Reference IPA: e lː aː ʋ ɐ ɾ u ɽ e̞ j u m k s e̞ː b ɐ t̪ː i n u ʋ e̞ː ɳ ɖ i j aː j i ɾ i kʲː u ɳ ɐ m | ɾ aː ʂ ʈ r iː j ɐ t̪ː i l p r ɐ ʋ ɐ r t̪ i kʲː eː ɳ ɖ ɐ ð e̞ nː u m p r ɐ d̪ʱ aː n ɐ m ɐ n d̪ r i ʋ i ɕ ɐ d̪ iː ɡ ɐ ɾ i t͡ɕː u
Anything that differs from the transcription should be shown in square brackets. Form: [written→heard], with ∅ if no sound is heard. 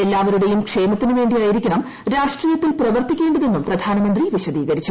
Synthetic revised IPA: e lː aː ʋ ɐ ɾ u ɽ e̞ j u m k [s→ʂ] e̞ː [b→m] ɐ t̪ː i n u ʋ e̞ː ɳ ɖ i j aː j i ɾ i kʲː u ɳ ɐ m | ɾ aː ʂ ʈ r iː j ɐ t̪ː i l p r ɐ ʋ ɐ r t̪ i kʲː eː ɳ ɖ ɐ ð e̞ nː u m p r ɐ d̪ʱ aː n ɐ m ɐ n d̪ r i ʋ i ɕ ɐ d̪ iː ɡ ɐ ɾ i t͡ɕː u